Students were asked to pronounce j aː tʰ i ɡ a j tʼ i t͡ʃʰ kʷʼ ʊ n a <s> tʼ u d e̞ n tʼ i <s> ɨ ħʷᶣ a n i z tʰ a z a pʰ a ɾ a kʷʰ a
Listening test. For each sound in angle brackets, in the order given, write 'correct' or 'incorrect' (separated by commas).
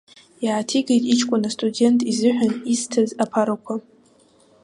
correct, incorrect